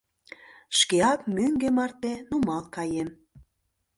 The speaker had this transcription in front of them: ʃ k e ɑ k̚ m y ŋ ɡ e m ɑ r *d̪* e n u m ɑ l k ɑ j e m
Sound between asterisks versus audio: incorrect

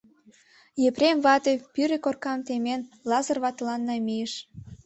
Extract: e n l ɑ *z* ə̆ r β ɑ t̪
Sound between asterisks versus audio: correct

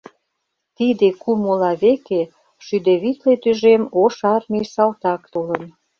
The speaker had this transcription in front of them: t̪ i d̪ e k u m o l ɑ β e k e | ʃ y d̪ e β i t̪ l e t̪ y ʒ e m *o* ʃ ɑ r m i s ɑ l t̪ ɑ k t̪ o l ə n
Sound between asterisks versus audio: correct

